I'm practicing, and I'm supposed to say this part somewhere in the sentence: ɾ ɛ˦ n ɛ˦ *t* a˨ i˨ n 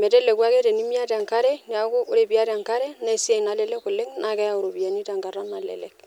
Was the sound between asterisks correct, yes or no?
no